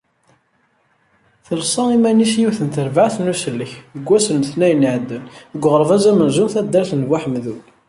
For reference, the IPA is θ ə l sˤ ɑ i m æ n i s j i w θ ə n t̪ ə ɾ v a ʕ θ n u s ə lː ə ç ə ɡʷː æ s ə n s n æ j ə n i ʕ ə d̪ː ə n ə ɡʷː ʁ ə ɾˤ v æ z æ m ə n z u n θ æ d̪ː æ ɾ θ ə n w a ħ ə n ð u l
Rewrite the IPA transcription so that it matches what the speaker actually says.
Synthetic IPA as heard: θ ə l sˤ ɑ i m æ n i s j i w θ ə n t̪ ə ɾ v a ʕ θ n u s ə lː ə ç ə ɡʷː æ s ə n θ n æ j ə n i ʕ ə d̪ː ə n ə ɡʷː ʁ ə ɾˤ v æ z æ m ə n z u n θ æ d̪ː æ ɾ θ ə n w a ħ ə m ð u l